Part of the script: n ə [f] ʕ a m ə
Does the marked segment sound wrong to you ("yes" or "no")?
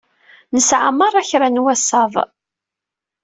yes